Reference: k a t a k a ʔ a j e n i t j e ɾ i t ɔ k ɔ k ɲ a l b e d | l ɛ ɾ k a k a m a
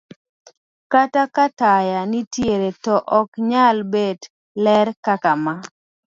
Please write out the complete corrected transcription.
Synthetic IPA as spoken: k a t a k a t a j a n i t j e ɾ e t ɔ ʔ ɔ k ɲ a l b e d | l ɛ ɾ k a k a m a

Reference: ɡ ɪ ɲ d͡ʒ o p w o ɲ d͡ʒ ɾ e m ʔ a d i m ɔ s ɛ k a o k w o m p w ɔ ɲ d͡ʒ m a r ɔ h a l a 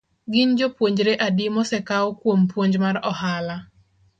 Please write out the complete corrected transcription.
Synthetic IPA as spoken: ɡ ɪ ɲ d͡ʒ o p w o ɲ d͡ʒ ɾ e ʔ a d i m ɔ s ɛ k a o k w o m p w o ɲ d͡ʒ m a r ɔ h a l a

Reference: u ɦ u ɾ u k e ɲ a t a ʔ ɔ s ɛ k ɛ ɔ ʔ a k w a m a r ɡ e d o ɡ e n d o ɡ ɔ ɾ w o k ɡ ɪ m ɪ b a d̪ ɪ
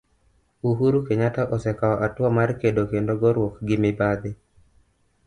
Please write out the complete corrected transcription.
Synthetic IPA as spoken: u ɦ u ɾ u k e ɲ a t a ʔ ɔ s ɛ k a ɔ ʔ a t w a m a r k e d o k e n d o ɡ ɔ ɾ w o k ɡ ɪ m ɪ b a d̪ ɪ

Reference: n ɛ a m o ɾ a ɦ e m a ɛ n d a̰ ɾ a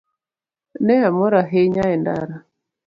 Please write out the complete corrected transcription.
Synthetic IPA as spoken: n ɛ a m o ɾ a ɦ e ɲ a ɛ n d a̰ ɾ a

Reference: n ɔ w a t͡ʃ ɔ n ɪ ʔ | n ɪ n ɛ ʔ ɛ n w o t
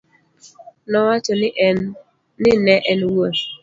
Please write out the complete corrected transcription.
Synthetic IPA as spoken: n ɔ w a t͡ʃ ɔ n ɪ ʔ | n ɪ n ɛ ʔ ɛ n w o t

